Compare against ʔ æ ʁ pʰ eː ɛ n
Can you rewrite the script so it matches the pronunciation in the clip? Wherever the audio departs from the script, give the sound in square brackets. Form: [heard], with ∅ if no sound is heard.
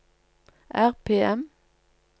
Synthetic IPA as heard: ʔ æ ʁ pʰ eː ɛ [m]